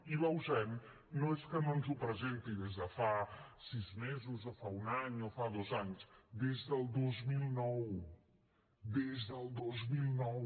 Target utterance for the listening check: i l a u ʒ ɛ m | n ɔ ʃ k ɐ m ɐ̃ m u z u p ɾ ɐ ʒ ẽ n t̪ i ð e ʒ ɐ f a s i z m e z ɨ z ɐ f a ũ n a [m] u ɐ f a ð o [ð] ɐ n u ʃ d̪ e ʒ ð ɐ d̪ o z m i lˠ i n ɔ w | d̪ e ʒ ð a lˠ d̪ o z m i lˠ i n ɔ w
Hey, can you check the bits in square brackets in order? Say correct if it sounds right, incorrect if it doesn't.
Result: incorrect, incorrect

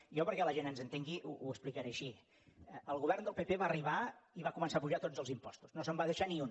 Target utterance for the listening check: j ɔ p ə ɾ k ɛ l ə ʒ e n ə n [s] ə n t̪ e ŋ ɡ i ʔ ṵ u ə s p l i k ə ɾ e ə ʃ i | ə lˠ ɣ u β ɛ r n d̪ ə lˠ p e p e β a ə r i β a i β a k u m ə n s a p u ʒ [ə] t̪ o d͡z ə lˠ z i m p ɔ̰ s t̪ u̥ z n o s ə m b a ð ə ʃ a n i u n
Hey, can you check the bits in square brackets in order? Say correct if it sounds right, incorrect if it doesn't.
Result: incorrect, incorrect

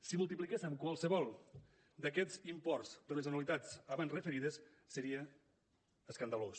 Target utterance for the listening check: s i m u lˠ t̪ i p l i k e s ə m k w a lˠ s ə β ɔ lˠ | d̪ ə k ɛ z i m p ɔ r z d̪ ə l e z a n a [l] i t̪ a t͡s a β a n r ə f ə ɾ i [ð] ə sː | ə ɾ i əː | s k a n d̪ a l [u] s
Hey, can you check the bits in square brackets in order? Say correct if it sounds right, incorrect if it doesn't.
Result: correct, correct, incorrect

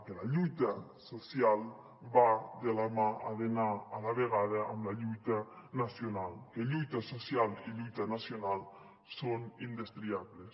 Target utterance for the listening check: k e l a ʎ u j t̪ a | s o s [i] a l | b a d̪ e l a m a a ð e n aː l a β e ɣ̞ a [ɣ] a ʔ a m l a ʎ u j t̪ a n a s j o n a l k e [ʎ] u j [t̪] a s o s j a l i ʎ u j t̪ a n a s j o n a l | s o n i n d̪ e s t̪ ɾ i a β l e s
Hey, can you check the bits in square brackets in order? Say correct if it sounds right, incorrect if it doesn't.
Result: incorrect, incorrect, correct, correct

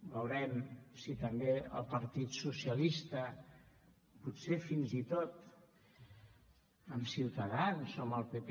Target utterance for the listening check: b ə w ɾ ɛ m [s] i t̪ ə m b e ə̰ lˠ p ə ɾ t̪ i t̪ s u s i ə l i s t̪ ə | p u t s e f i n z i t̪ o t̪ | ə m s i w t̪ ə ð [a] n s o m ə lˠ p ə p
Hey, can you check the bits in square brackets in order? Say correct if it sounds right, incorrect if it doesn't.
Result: correct, correct

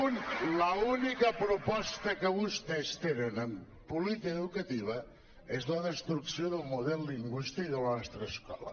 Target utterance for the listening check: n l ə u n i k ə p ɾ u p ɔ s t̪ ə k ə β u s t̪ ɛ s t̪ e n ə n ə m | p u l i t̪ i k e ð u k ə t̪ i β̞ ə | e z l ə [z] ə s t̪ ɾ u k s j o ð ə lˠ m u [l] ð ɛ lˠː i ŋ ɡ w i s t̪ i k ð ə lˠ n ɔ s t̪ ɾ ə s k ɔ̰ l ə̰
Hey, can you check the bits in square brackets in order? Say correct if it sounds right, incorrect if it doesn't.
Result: incorrect, incorrect

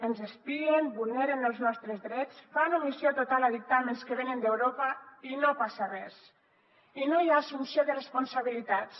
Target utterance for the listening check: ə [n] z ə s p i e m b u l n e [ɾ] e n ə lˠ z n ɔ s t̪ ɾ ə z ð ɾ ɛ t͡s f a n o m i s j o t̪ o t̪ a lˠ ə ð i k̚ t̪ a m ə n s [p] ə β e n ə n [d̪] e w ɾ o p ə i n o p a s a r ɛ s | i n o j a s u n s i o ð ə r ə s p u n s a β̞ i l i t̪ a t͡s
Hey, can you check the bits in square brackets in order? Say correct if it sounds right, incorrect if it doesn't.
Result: correct, correct, incorrect, correct

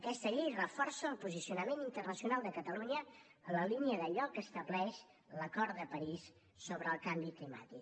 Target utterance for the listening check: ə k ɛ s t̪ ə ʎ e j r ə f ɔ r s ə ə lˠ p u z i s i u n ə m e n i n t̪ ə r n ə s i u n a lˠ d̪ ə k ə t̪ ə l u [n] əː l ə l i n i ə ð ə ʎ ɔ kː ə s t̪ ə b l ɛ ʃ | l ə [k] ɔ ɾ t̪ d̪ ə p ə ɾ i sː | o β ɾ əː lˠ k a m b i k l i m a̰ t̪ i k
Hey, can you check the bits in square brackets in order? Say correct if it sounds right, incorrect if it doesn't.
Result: incorrect, correct

